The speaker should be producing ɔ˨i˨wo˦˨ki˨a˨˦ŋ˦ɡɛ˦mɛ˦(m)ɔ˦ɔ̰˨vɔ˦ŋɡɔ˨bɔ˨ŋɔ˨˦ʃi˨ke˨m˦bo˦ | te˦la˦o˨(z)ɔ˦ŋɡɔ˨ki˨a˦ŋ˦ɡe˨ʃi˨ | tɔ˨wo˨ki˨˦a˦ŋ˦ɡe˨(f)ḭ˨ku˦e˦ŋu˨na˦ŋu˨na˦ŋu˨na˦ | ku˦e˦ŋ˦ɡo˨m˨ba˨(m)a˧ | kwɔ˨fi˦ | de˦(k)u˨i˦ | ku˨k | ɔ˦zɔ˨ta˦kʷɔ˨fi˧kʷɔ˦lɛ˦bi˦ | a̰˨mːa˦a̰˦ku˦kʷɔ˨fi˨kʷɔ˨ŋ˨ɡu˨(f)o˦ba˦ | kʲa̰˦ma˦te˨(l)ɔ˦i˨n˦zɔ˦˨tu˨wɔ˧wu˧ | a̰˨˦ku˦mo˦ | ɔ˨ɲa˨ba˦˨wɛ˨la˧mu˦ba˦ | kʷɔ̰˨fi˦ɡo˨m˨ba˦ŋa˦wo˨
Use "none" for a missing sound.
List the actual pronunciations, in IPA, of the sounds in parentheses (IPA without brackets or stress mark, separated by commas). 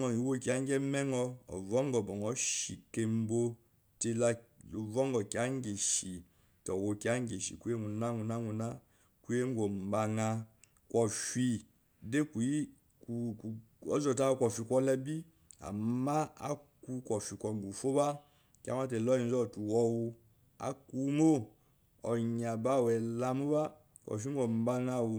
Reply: ŋ, v, ʃ, ŋ, k, f, l